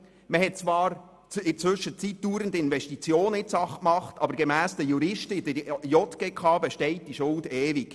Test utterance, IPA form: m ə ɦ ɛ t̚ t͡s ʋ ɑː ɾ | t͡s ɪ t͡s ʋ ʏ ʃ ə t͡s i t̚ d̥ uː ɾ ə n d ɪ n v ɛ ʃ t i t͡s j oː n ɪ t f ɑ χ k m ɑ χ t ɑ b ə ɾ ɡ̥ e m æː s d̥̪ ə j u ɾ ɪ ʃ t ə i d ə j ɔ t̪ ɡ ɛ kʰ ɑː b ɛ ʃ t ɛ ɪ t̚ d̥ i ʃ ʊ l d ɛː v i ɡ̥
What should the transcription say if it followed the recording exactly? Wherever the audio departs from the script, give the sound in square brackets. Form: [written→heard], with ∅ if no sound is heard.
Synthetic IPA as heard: m ə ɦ ɛ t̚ t͡s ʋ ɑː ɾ | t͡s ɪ t͡s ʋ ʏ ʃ ə t͡s i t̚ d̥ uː ɾ ə n d ɪ n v ɛ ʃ t i t͡s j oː n ɪ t [f→s] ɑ χ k m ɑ χ t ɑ b ə ɾ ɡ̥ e m æː s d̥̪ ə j u ɾ ɪ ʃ t ə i d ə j ɔ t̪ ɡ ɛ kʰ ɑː b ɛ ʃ t ɛ ɪ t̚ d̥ i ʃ ʊ l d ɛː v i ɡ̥